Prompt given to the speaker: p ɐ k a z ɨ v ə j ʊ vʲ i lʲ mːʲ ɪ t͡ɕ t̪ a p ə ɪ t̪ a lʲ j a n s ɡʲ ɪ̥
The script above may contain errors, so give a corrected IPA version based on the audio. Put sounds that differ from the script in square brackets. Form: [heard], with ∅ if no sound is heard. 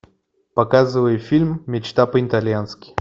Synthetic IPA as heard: p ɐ k a z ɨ v ə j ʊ [fʲ] i lʲ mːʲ ɪ t͡ɕ t̪ a p ə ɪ t̪ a lʲ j a n s [kʲ] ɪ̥

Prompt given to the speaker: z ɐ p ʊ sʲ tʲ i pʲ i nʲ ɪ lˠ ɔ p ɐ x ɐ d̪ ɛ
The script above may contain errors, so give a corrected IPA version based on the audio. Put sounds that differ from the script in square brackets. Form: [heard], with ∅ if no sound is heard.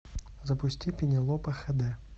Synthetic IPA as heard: z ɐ p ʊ sʲ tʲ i pʲ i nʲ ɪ lˠ ɔ p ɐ x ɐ d̪ ɛ

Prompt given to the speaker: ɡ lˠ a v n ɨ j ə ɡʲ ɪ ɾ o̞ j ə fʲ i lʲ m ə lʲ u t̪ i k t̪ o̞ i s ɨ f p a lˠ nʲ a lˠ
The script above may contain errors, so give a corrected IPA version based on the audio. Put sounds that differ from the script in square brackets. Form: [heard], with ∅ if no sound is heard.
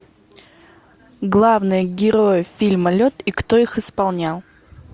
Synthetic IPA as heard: ɡ lˠ a v n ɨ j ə ɡʲ ɪ ɾ o̞ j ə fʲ i lʲ m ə lʲ [o] t̪ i k t̪ o̞ i [x] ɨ [s] p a lˠ nʲ a lˠ

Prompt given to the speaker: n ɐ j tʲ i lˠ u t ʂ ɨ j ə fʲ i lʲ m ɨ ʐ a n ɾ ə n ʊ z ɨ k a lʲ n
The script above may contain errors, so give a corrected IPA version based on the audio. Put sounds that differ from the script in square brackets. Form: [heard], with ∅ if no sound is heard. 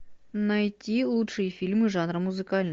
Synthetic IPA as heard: n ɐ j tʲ i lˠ u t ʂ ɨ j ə fʲ i lʲ m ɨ ʐ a n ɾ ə [m] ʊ z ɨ k a lʲ n

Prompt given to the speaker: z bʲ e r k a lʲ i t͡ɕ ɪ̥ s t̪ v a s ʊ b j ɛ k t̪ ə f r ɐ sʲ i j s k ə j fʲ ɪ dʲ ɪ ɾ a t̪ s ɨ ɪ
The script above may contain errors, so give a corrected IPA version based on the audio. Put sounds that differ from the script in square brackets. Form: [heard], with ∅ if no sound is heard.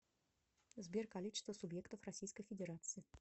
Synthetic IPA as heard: z bʲ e r k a lʲ i t͡ɕ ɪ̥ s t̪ v [ə] s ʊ b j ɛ k t̪ ə f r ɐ sʲ i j s k ə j fʲ ɪ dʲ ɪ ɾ a t̪ s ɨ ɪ

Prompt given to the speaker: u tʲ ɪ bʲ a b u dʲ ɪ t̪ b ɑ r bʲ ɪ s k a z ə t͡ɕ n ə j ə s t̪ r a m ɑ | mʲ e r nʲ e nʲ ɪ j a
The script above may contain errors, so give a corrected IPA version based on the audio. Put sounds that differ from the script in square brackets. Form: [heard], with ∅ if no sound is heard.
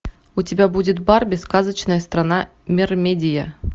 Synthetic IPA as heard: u tʲ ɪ bʲ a b u dʲ ɪ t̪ b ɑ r bʲ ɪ s k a z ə t͡ɕ n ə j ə s t̪ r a [n] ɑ | mʲ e r [mʲ] e [dʲ] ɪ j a

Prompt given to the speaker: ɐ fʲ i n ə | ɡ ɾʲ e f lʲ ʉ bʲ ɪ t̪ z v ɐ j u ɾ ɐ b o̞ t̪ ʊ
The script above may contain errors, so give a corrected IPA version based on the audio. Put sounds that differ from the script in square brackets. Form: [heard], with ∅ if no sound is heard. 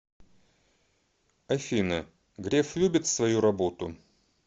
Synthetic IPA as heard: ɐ fʲ i n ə | ɡ ɾʲ e f lʲ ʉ bʲ ɪ t̪ [s] v ɐ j u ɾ ɐ b o̞ t̪ ʊ

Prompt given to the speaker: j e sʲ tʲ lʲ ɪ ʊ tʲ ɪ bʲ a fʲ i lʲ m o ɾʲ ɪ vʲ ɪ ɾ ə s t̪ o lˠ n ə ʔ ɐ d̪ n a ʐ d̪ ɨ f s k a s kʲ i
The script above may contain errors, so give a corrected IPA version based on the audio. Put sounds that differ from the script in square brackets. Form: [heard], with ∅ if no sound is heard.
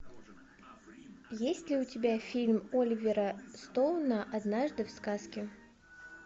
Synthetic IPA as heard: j e sʲ tʲ lʲ ɪ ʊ tʲ ɪ bʲ a fʲ i lʲ m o [lʲ] ɪ vʲ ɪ ɾ ə s t̪ o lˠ n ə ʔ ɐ d̪ n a ʐ d̪ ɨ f s k a s kʲ [ɪ]

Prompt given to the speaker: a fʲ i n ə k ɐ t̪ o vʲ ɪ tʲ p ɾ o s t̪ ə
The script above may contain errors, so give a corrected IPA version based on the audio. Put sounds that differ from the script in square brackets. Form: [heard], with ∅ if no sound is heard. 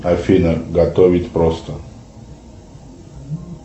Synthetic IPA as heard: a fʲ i n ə [ɡ] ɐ t̪ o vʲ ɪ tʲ p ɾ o s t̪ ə

